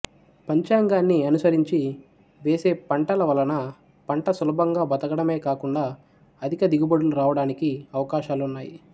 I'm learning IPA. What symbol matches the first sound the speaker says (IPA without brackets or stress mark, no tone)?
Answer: p